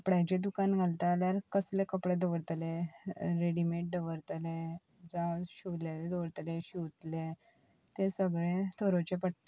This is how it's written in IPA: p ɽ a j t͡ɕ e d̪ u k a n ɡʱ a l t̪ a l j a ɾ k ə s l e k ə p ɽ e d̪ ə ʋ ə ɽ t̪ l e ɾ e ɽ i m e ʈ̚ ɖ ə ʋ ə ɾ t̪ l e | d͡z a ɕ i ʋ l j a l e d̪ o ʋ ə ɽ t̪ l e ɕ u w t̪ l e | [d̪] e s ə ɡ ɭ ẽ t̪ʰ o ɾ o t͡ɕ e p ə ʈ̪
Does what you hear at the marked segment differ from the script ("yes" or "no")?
yes